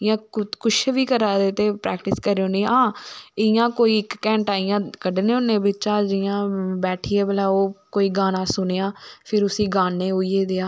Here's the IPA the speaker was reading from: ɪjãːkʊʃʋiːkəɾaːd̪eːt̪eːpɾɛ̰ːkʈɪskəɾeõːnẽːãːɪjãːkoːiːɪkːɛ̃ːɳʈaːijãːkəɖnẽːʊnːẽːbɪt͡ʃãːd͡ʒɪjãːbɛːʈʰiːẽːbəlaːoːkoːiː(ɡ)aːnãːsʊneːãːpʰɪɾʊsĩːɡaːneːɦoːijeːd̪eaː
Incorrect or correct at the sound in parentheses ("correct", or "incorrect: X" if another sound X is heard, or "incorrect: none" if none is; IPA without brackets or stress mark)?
correct